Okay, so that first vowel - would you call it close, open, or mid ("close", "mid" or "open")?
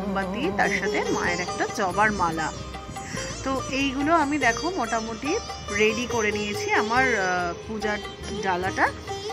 open